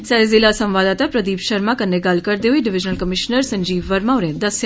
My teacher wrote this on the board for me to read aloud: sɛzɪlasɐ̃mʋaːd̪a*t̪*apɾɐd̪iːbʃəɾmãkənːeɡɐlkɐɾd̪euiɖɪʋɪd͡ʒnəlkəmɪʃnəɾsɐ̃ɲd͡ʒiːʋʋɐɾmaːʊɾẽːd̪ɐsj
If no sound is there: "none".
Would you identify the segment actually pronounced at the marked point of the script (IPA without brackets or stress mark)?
t̪